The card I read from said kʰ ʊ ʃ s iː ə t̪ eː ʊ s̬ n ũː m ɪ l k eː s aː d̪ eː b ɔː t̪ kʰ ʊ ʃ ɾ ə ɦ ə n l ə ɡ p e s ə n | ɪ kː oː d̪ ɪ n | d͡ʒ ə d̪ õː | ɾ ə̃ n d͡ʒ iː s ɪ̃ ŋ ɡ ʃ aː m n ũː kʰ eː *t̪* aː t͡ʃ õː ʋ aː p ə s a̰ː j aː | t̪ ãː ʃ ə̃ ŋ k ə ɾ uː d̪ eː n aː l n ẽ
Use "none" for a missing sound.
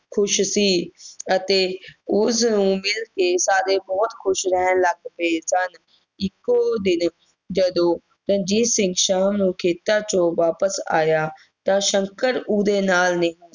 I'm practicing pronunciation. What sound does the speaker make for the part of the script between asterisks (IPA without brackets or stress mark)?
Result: t̪